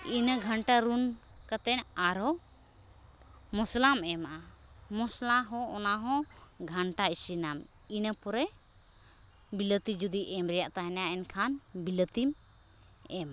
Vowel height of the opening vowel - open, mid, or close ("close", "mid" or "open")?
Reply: close